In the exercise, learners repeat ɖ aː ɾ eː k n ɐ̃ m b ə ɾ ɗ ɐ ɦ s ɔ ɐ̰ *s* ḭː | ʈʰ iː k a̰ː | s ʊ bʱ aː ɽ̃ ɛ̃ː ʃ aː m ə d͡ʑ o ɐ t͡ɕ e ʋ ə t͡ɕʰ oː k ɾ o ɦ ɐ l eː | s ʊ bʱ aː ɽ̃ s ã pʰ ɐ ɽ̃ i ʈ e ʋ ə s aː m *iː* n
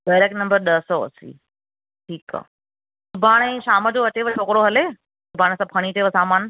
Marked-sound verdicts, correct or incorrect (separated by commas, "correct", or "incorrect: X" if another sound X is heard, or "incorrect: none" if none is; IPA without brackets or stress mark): correct, incorrect: aː